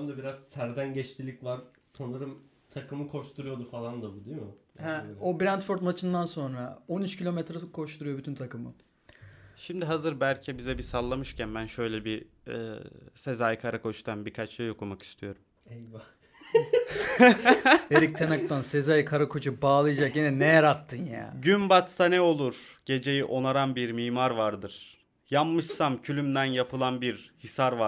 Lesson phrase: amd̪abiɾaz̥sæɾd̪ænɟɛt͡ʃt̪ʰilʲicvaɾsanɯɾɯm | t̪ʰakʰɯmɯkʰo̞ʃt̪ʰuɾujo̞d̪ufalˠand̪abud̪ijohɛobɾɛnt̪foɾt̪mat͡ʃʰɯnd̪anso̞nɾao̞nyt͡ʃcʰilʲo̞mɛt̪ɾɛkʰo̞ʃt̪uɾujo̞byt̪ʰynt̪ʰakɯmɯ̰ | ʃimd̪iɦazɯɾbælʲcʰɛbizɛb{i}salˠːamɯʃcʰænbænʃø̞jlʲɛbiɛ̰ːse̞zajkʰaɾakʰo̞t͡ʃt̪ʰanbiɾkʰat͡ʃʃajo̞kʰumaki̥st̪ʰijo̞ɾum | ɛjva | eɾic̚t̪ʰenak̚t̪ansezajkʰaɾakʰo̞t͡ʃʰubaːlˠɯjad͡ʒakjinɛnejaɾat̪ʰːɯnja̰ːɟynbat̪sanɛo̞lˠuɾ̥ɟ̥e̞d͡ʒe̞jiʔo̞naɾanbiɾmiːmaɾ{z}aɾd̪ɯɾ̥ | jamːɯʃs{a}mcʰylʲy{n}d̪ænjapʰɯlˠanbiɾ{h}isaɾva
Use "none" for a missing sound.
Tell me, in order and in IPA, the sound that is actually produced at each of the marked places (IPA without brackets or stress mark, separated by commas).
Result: i, v, a, m, h